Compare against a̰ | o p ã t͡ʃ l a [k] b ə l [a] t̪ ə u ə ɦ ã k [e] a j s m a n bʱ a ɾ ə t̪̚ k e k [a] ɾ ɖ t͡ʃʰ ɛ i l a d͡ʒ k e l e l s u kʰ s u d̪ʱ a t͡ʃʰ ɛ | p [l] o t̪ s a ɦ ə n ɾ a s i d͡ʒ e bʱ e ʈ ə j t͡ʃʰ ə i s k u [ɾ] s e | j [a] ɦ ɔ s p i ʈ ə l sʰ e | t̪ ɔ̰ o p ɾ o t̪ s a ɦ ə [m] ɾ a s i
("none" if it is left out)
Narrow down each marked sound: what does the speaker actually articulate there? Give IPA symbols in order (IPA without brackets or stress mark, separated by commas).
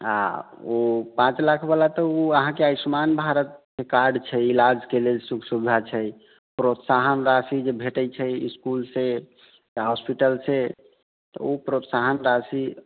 kʰ, a, e, a, ɾ, l, a, n